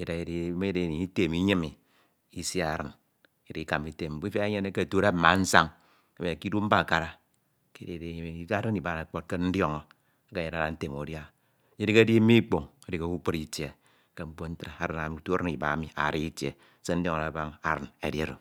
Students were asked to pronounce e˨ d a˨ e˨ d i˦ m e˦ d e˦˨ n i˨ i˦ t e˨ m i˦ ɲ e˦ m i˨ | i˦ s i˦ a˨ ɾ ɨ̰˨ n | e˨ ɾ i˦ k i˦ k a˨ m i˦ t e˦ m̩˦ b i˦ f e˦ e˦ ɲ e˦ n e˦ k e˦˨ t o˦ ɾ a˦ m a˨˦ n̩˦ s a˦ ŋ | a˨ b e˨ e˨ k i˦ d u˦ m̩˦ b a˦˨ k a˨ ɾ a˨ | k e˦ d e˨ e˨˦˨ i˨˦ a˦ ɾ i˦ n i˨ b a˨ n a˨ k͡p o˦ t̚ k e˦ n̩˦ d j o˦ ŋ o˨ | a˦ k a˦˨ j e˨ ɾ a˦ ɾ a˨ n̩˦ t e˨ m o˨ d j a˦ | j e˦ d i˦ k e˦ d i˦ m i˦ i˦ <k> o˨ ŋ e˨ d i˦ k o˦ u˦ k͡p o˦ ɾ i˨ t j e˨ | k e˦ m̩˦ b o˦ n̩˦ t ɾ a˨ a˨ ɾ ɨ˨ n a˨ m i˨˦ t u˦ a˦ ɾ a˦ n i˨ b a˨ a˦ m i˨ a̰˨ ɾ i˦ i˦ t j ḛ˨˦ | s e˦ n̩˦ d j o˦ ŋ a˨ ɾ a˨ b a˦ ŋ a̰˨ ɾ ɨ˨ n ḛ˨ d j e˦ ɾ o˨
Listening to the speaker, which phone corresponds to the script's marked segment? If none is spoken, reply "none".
k͡p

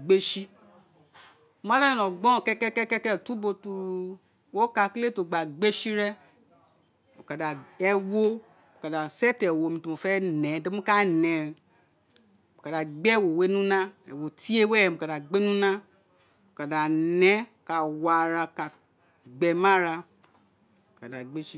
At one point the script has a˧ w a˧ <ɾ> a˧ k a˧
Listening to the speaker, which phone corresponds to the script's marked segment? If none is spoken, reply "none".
ɾ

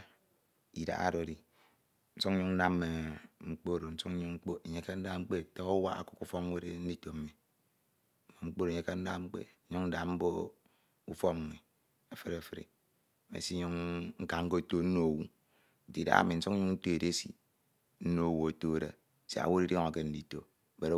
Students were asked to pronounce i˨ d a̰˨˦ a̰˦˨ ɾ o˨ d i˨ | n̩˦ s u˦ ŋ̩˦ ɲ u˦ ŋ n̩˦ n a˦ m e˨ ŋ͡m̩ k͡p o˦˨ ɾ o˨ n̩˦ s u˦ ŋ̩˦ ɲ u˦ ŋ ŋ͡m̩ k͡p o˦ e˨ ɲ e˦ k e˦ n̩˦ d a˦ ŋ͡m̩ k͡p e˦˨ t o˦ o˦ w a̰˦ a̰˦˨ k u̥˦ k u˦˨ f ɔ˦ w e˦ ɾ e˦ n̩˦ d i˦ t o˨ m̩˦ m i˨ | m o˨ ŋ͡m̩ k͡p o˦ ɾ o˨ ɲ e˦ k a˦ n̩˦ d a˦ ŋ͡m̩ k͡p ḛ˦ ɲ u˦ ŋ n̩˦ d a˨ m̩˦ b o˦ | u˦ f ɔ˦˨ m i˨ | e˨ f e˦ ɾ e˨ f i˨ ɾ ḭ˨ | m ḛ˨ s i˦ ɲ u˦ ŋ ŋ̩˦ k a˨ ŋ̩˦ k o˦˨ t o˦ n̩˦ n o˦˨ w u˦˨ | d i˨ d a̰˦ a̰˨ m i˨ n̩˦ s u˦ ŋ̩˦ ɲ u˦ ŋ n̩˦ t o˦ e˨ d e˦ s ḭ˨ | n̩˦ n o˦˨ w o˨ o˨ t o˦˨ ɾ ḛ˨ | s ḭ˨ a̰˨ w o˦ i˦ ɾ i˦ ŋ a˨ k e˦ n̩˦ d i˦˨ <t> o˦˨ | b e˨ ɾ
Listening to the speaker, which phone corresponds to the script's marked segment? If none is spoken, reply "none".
t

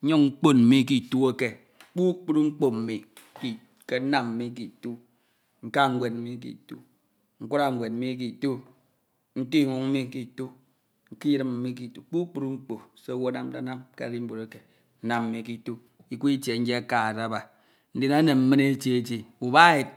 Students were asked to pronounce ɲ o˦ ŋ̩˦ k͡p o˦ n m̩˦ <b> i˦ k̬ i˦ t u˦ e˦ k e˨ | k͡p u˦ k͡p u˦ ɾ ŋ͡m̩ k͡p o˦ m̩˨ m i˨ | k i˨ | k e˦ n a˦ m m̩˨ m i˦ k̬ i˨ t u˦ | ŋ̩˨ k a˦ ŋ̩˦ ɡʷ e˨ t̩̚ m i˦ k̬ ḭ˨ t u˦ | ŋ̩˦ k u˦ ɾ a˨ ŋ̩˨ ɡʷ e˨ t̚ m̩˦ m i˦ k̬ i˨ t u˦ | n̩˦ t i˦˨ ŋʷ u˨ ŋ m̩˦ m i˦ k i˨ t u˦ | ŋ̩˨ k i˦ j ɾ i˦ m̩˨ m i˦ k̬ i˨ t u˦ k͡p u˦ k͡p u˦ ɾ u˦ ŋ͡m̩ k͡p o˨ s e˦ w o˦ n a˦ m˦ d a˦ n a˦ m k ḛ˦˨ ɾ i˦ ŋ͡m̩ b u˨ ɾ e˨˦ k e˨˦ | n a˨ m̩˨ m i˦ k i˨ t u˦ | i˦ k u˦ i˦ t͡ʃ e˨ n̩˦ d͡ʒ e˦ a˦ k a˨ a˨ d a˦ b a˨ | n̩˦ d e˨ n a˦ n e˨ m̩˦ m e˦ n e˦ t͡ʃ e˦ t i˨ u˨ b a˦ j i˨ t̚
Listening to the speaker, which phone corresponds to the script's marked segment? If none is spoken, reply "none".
m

